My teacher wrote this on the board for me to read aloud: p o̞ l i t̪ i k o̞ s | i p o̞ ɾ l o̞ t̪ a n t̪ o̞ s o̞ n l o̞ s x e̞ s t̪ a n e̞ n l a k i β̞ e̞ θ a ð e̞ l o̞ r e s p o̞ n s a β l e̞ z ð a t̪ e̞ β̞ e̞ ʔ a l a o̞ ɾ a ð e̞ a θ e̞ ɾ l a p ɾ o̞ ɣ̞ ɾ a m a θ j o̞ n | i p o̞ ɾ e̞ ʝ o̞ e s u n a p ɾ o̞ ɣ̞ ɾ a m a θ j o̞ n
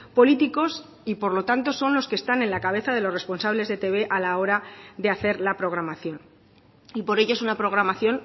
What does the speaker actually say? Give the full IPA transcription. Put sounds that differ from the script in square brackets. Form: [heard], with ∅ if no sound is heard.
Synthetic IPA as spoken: p o̞ l i t̪ i k o̞ s | i p o̞ ɾ l o̞ t̪ a n t̪ o̞ s o̞ n l o̞ s [k] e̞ s t̪ a n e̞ n l a k [a] β̞ e̞ θ a ð e̞ l o̞ r e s p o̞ n s a β l e̞ z ð [e] t̪ e̞ β̞ e̞ ʔ a l a o̞ ɾ a ð e̞ a θ e̞ ɾ l a p ɾ o̞ ɣ̞ ɾ a m a θ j o̞ n | i p o̞ ɾ e̞ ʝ o̞ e s u n a p ɾ o̞ ɣ̞ ɾ a m a θ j o̞ n